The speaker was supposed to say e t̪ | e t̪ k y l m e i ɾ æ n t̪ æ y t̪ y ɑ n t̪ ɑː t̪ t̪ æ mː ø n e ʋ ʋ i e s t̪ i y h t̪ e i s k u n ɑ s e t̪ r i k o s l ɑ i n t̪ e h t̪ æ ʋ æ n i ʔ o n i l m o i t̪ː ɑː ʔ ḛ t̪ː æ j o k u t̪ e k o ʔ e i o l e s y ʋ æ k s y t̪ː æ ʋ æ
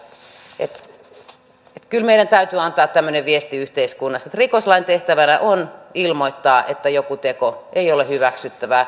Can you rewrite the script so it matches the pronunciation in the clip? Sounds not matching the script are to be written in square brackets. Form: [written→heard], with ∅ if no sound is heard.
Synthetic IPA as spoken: e t̪ | e t̪ k y l m e i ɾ æ n t̪ æ y t̪ y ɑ n t̪ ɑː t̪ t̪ æ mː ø n e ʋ ʋ i e s t̪ i y h t̪ e i s k u [n→nː] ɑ s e t̪ r i k o s l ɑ i n t̪ e h t̪ æ ʋ æ n [i→æ] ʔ o n i l m o i t̪ː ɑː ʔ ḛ t̪ː æ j o k u t̪ e k o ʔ e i o l e [s→h] y ʋ æ k s y t̪ː æ ʋ æ